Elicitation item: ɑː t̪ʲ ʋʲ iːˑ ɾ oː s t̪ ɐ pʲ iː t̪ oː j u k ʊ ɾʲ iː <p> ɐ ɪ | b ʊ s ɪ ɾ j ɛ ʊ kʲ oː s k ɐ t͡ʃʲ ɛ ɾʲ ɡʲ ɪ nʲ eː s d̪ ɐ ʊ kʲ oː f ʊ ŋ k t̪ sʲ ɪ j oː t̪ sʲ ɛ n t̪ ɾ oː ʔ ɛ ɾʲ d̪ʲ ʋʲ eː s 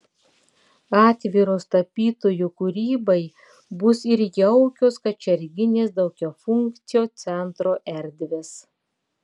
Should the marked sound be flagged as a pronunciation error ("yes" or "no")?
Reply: yes